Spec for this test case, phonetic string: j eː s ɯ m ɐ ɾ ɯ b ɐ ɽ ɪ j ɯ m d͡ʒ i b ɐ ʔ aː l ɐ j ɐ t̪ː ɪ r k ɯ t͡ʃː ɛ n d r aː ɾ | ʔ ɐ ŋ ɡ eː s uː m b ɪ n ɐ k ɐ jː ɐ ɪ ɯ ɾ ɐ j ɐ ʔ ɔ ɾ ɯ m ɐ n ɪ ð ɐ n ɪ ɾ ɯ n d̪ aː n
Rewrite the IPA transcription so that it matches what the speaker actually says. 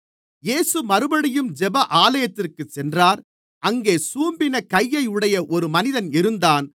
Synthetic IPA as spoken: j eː s ɯ m ɐ ɾ ɯ b ɐ ɽ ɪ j ɯ m d͡ʒ ɛ b ɐ ʔ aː l ɐ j ɐ t̪ː ɪ r k ɯ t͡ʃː ɛ n d r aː ɾ | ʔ ɐ ŋ ɡ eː s uː m b ɪ n ɐ k ɐ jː ɐ ɪ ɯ ɽ ɐ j ɐ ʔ ɔ ɾ ɯ m ɐ n ɪ ð ɐ n ɪ ɾ ɯ n d̪ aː n